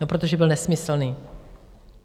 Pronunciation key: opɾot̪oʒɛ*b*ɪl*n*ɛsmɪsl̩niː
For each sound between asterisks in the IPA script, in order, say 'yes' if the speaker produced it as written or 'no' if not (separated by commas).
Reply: yes, yes